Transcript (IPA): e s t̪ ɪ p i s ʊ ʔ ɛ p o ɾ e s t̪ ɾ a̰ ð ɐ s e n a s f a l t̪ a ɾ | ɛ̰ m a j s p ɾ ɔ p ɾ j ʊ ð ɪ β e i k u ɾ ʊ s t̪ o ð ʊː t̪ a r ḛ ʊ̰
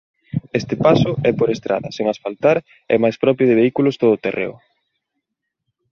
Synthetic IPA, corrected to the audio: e s t̪ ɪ p a s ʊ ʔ ɛ p o ɾ e s t̪ ɾ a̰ ð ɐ s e ŋ a s f a l t̪ a ɾ | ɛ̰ m a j s p ɾ ɔ p ɾ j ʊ ð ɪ β e i k u l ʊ s t̪ o ð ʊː t̪ e r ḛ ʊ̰